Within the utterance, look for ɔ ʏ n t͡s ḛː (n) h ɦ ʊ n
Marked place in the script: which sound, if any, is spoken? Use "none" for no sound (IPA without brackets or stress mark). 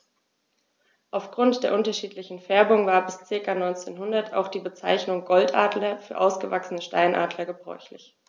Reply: n